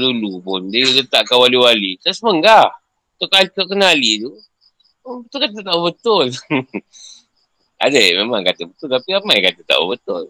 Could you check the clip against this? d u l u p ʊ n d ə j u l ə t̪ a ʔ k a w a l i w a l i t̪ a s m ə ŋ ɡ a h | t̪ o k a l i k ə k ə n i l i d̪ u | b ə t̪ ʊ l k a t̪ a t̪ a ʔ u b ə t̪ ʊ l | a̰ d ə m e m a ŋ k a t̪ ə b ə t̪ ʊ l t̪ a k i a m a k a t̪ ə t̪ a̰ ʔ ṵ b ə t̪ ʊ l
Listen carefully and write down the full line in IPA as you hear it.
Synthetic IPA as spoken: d u l u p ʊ n d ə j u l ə t̪ a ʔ k a w a l i w a l i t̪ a s m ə ŋ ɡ a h | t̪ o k a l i k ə k ə n a l i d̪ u | b ə t̪ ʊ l k a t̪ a t̪ a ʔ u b ə t̪ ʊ l | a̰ d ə m e m a ŋ k a t̪ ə b ə t̪ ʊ l t̪ a p i a m a k a t̪ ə t̪ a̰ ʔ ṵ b ə t̪ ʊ l